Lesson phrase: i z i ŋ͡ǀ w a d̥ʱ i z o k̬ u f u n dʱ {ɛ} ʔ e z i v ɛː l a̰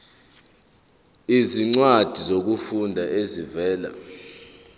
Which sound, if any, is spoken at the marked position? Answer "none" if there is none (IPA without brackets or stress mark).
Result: a